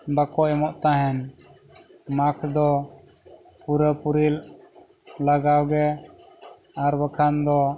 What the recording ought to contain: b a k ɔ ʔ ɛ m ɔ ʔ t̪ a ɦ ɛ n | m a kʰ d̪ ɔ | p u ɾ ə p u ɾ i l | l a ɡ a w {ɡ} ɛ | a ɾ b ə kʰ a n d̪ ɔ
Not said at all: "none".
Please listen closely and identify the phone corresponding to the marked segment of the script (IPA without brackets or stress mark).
ɡ